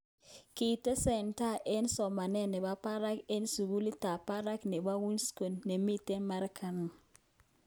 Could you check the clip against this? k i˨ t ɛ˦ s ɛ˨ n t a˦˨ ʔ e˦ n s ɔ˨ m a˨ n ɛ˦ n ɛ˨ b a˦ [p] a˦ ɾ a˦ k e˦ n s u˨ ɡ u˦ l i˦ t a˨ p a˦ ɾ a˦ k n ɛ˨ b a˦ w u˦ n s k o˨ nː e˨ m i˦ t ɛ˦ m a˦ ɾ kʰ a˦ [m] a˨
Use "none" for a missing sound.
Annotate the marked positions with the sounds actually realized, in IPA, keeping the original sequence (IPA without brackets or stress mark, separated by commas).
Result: p, n